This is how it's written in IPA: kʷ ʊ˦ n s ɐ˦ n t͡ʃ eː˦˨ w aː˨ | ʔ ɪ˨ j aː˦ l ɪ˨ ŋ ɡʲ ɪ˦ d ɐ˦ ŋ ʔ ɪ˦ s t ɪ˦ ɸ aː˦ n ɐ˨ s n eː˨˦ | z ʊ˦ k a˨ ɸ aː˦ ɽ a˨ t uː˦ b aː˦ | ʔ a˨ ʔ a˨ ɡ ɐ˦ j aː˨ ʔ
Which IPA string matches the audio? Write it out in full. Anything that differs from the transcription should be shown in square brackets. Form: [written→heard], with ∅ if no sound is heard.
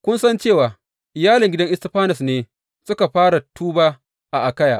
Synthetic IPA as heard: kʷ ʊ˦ n s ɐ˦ n t͡ʃ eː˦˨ w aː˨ | ʔ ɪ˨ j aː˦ l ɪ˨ ŋ ɡʲ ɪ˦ d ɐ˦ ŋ ʔ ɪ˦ s t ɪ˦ ɸ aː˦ n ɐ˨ s n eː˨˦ | [z→s] ʊ˦ k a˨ ɸ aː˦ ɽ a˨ t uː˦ b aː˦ | ʔ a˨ ʔ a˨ [ɡ→k] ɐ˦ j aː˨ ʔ